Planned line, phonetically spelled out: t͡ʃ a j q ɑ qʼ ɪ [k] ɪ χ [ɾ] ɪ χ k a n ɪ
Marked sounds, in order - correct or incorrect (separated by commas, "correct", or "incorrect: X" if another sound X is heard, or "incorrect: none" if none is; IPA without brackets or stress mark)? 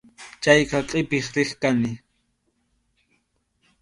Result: incorrect: p, correct